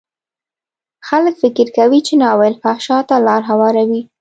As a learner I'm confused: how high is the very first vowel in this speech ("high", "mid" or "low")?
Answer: low